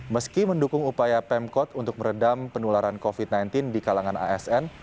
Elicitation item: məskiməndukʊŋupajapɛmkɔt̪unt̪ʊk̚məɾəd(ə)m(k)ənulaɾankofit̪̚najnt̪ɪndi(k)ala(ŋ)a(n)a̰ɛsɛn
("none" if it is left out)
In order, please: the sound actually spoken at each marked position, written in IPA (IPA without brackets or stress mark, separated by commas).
a, p, k, ŋ, n